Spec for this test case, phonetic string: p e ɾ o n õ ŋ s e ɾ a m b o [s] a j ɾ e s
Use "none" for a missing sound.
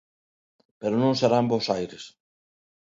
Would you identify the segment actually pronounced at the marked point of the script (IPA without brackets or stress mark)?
s